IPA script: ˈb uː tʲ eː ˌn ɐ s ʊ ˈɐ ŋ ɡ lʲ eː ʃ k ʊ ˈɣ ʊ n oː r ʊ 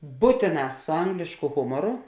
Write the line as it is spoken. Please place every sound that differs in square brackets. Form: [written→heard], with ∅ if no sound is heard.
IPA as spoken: ˈb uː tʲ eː ˌn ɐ s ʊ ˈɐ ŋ ɡ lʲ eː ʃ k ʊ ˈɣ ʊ [n→m] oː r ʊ